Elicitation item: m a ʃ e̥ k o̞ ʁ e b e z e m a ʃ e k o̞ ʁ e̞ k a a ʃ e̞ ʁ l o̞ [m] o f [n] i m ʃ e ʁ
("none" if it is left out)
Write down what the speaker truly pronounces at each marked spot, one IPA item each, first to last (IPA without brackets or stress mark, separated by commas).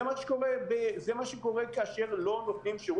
n, n